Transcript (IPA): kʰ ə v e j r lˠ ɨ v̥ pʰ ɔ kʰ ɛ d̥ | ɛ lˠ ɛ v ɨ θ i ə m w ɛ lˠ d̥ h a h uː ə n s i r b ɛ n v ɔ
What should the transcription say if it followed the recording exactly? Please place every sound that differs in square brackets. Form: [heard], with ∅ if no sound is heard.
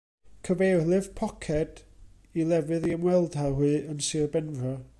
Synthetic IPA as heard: kʰ ə v e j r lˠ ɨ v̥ pʰ ɔ kʰ ɛ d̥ | [i] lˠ ɛ v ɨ [ð] i ə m w ɛ lˠ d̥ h a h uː ə n s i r b ɛ n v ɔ